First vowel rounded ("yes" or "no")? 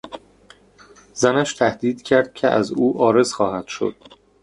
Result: no